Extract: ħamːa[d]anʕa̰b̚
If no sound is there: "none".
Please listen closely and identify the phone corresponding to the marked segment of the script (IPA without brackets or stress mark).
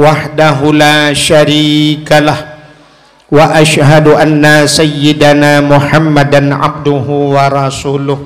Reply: d